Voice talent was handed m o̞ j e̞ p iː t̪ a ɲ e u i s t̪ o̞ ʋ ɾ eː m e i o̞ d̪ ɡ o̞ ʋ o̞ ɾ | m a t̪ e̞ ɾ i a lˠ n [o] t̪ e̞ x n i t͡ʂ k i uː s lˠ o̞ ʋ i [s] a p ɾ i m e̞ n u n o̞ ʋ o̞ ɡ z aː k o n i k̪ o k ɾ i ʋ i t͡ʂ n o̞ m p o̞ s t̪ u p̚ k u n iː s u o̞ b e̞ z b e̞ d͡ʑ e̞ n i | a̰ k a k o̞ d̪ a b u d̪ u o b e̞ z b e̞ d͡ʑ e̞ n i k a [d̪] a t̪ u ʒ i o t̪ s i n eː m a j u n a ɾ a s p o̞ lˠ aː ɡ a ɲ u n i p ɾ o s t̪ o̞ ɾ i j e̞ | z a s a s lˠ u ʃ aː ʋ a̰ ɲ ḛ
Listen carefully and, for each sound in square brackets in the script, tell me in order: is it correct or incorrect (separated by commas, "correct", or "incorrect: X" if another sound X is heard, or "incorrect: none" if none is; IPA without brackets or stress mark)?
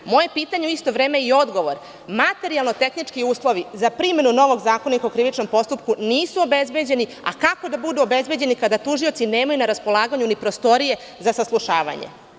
correct, incorrect: z, correct